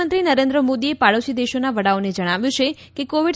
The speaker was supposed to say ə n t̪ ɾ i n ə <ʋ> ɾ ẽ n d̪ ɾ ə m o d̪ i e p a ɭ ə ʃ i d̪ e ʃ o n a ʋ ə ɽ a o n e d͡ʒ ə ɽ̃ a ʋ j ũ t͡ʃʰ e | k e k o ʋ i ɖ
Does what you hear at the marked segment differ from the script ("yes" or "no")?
yes